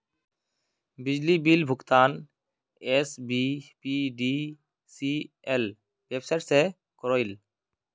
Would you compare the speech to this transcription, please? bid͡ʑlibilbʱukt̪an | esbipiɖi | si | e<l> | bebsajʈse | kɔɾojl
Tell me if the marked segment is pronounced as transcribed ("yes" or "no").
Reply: yes